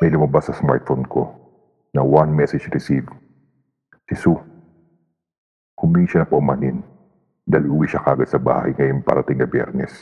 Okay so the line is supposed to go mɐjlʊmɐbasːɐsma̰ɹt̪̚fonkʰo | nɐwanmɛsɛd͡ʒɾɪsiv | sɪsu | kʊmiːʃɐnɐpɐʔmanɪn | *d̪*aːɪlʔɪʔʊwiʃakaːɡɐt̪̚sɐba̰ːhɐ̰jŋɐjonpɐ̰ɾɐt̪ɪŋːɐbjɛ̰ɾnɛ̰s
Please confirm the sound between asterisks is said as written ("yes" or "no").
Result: yes